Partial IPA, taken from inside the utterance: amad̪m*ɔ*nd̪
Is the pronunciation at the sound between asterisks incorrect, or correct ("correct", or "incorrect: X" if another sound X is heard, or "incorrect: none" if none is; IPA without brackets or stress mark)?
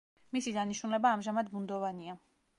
incorrect: u